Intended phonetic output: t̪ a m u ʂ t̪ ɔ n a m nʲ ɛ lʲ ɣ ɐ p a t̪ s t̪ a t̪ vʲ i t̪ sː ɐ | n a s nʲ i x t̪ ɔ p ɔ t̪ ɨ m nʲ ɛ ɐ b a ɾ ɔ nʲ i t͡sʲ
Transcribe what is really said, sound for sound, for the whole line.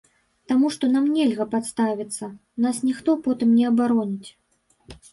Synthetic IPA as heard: t̪ a m u ʂ t̪ ɔ n a m nʲ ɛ lʲ ɣ ɐ p a t̪ s t̪ a vʲ i t̪ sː ɐ | n a s nʲ i x t̪ ɔ p ɔ t̪ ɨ m nʲ ɛ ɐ b a ɾ ɔ nʲ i t͡sʲ